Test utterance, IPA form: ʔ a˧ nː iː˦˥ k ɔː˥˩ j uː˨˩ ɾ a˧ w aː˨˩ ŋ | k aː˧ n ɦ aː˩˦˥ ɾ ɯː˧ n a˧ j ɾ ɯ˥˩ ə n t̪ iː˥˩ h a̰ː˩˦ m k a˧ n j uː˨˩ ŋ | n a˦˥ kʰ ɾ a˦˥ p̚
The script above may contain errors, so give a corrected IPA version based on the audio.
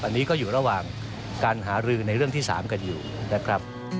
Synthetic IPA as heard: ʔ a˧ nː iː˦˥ k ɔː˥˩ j uː˨˩ ɾ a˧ w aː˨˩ ŋ | k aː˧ n ɦ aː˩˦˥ ɾ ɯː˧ n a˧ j ɾ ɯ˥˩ ə ŋ t̪ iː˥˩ s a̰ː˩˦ m k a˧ n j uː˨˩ | n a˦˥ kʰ ɾ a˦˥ p̚